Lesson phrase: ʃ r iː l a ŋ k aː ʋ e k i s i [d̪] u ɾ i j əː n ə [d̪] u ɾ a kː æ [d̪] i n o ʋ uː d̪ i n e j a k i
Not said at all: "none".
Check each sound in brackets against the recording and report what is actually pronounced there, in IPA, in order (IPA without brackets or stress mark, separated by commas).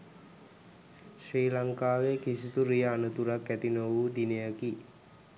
t̪, t̪, t̪